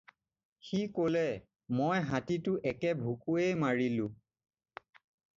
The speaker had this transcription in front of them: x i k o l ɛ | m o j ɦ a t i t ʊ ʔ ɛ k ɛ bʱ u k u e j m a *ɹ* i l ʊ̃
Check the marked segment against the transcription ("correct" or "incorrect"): correct